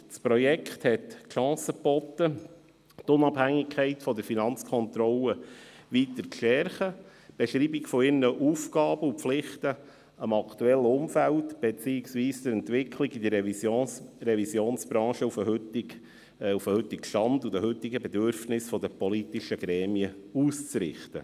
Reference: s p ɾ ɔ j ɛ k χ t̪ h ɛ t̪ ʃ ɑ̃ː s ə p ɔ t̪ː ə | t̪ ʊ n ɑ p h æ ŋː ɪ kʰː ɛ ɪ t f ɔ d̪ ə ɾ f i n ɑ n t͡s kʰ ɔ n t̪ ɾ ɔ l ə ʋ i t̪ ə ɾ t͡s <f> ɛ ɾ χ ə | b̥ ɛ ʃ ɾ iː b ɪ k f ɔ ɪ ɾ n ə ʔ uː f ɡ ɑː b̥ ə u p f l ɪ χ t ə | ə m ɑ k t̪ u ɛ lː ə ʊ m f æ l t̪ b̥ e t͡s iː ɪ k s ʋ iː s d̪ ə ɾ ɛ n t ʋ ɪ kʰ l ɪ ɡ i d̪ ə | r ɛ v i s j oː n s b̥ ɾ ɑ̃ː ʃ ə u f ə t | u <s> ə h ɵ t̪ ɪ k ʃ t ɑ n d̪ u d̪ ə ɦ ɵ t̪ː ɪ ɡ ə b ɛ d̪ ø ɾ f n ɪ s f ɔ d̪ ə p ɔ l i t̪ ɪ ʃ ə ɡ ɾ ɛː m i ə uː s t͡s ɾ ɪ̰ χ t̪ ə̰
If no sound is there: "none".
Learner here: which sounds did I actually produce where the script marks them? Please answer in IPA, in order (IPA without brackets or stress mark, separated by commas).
ʃ, f